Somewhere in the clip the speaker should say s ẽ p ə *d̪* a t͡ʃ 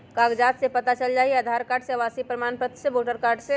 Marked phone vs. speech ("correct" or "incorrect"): incorrect